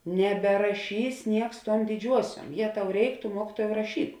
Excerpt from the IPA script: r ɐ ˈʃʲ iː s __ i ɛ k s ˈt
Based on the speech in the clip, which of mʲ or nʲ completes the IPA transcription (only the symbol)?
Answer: nʲ